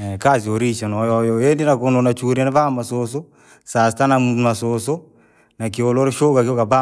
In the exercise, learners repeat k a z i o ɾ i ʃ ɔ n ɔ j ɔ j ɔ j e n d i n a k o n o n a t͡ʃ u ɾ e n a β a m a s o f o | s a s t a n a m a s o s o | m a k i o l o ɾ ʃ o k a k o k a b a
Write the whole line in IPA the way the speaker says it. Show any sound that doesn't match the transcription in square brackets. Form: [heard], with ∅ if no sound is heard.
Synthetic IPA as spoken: k a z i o ɾ i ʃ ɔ n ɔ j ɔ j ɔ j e n d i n a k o n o n a t͡ʃ u ɾ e n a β a m a s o [s] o | s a s t a n a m a s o s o | [n] a k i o l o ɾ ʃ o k a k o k a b a